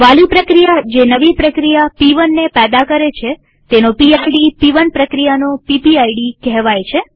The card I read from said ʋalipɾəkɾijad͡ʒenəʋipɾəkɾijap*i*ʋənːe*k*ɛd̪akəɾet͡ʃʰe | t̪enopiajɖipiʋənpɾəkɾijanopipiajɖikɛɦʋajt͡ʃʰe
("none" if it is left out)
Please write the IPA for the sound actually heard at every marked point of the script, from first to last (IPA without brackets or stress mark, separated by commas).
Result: i, p